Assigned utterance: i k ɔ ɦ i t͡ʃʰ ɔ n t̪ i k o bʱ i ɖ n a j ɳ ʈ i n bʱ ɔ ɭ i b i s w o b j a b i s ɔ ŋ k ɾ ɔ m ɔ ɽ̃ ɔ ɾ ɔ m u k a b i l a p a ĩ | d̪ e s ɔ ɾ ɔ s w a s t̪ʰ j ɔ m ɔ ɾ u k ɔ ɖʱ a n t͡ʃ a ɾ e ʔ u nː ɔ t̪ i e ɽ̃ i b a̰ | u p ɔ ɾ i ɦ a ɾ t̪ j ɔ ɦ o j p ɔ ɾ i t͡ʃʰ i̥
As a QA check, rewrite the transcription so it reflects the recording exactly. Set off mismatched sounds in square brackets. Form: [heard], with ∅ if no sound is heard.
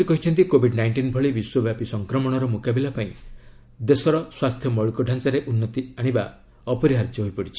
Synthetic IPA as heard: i k ɔ ɦ i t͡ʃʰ ɔ n t̪ i k o bʱ i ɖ n a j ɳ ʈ i n bʱ ɔ ɭ i b i s w [ɔ] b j a [p] i s ɔ ŋ k ɾ ɔ m ɔ ɽ̃ ɔ ɾ ɔ m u k a b i l a p a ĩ | d̪ e s ɔ ɾ ɔ s w a s t̪ʰ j ɔ m ɔ [ɭ] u k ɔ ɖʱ a n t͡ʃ a ɾ e ʔ u nː ɔ t̪ i [a] ɽ̃ i b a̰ | [ɔ] p ɔ ɾ i ɦ a ɾ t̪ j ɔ ɦ o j p ɔ [ɽ] i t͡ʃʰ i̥